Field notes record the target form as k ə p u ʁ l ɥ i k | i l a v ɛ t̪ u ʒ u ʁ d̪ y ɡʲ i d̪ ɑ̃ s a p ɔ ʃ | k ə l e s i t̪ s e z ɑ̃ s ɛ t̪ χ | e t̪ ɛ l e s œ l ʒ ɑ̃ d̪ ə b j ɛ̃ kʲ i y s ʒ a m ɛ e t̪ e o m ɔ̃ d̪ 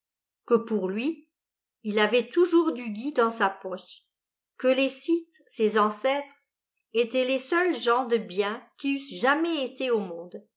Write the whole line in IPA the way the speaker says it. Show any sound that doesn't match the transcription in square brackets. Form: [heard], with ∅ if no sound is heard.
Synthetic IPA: k ə p u ʁ l ɥ i [∅] | i l a v ɛ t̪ u ʒ u ʁ d̪ y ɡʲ i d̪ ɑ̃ s a p ɔ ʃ | k ə l e s i t̪ s e z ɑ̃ s ɛ t̪ χ | e t̪ ɛ l e s œ l ʒ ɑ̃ d̪ ə b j ɛ̃ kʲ i y s ʒ a m ɛ e t̪ e o m ɔ̃ d̪